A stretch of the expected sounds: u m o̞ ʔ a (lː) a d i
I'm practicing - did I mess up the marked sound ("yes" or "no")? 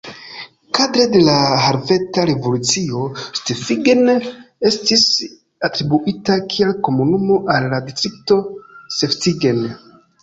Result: no